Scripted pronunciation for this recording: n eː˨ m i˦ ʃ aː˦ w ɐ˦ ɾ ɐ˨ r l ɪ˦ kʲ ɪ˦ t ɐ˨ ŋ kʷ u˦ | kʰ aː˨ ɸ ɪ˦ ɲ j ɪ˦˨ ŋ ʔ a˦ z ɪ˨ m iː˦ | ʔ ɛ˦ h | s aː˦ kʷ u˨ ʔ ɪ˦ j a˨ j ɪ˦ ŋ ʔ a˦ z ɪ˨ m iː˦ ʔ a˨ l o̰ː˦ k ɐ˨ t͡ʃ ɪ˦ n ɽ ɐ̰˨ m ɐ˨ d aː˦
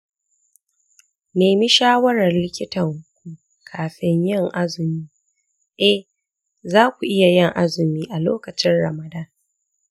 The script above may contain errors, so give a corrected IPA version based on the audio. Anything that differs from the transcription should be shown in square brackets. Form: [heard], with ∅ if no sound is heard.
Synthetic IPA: n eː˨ m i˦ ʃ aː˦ w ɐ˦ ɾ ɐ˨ r l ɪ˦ kʲ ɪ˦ t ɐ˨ ŋ kʷ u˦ | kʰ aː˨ ɸ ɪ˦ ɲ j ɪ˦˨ ŋ ʔ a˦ z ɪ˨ m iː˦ | ʔ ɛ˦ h | [z] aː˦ kʷ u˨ ʔ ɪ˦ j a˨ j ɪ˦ ŋ ʔ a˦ z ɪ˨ m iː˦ ʔ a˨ l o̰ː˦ k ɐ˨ t͡ʃ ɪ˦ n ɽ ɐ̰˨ m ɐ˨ d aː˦